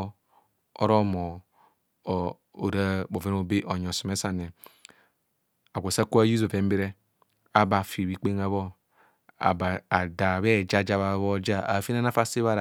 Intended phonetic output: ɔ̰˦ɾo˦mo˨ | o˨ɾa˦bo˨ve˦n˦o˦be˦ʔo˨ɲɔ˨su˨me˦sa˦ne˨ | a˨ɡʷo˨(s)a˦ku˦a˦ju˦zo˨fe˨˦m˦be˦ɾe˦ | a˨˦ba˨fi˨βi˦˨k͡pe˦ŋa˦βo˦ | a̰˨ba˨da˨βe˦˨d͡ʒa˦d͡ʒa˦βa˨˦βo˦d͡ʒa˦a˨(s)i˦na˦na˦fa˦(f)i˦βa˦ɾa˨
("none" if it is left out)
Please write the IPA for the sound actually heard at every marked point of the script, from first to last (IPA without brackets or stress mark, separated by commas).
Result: s, f, s